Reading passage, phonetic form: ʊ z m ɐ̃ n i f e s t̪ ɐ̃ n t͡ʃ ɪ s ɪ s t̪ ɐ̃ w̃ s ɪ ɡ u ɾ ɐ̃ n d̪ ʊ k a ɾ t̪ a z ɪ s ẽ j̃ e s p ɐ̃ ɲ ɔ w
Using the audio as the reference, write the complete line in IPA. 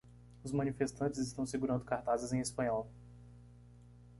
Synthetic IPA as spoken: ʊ z m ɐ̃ n i f e s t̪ ɐ̃ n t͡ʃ ɪ z ɪ s t̪ ɐ̃ w̃ s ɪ ɡ u ɾ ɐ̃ n d̪ ʊ k a ɾ t̪ a z ɪ z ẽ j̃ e s p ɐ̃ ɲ ɔ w